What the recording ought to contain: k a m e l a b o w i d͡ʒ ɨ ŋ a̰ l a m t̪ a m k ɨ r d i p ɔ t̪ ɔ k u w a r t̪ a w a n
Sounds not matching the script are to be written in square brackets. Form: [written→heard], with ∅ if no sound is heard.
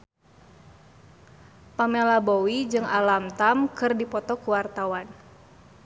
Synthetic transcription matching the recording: [k→p] a m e l a b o w i d͡ʒ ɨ ŋ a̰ l a m t̪ a m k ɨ r d i p ɔ t̪ ɔ k u w a r t̪ a w a n

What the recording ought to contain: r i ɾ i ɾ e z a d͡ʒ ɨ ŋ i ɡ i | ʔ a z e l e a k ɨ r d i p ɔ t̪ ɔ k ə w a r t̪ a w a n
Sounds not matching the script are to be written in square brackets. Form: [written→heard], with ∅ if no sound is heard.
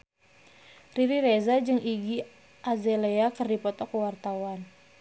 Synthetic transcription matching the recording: r i ɾ i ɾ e z a d͡ʒ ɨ ŋ i ɡ i | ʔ a z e l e a k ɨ r d i p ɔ t̪ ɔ k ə w a r t̪ a w a n

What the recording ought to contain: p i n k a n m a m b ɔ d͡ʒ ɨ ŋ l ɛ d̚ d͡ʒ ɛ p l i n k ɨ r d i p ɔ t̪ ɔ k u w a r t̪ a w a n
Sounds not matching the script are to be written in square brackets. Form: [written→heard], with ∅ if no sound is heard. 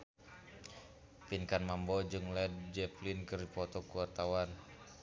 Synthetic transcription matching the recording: p i n k a n m a m b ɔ d͡ʒ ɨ ŋ l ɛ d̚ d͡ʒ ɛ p l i n k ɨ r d i p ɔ t̪ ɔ k u w a r t̪ a w a n

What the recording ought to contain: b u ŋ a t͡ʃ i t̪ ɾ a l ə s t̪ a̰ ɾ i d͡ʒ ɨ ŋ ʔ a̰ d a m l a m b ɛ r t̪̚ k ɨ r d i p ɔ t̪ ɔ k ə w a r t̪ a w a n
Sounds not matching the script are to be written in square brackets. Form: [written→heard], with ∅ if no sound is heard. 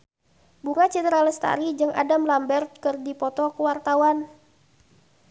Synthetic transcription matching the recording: b u ŋ a t͡ʃ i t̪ ɾ a l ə s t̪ a̰ ɾ i d͡ʒ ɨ ŋ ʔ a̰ d a m l a m b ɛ r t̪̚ k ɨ r d i p ɔ t̪ ɔ k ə w a r t̪ a w a n

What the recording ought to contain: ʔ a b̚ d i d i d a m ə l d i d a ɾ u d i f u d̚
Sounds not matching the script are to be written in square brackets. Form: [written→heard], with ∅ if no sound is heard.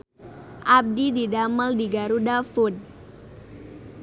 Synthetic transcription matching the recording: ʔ a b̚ d i d i d a m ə l d i [d→ɡ] a ɾ u d [i→a] f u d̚

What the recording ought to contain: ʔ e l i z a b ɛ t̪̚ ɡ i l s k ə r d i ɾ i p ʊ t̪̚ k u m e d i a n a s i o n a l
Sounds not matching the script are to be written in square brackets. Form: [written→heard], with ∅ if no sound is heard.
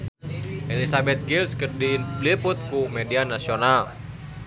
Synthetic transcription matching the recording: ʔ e l i [z→s] a b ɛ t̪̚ ɡ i l s k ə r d i [ɾ→l] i p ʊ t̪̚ k u m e d i a n a s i o n a l

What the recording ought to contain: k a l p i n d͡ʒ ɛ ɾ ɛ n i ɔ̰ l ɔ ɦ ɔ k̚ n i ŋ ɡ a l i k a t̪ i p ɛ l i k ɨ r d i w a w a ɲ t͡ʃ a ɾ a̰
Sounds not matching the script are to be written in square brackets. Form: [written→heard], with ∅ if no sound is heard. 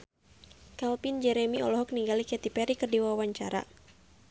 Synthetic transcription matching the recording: k a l p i n d͡ʒ ɛ ɾ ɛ [n→m] i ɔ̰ l ɔ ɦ ɔ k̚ n i ŋ ɡ a l i k [a→ɛ] t̪ i p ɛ [l→ɾ] i k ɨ r d i w a w a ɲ t͡ʃ a ɾ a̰

